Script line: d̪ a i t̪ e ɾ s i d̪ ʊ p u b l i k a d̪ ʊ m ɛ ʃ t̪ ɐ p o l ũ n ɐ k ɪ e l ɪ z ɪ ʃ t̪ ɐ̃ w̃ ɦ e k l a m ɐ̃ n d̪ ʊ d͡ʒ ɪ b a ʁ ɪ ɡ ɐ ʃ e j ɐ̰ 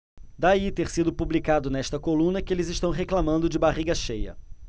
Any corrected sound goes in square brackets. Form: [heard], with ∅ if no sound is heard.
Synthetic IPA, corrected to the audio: d̪ a i t̪ e ɾ s i d̪ ʊ p u b l i k a d̪ ʊ [n] ɛ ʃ t̪ ɐ [k] o l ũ n ɐ k ɪ e l ɪ z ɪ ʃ t̪ ɐ̃ w̃ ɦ e k l a m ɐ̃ n d̪ ʊ d͡ʒ ɪ b a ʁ [i] ɡ ɐ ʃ e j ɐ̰